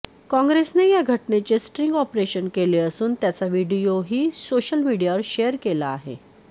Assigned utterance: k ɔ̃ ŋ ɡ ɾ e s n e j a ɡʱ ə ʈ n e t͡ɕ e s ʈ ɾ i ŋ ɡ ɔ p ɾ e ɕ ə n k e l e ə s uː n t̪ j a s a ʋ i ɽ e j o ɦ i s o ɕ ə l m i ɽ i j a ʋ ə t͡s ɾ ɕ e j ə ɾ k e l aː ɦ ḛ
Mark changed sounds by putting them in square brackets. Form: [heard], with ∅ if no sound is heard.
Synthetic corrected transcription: k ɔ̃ ŋ ɡ ɾ e s n e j a ɡʱ ə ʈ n e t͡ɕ e s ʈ ɾ i ŋ ɡ ɔ p ɾ e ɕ ə n k e l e ə s uː n t̪ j a [t͡s] a ʋ i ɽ [i] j o ɦ [iː] s o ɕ ə l m i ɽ i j a ʋ ə [∅] ɾ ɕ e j ə ɾ k e l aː ɦ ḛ